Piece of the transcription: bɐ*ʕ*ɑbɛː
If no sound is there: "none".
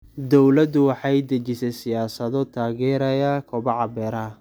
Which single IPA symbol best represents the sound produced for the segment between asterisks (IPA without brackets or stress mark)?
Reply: ʕ